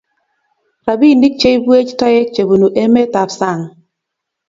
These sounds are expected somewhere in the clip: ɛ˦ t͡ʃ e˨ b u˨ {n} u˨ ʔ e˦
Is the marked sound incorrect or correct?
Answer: correct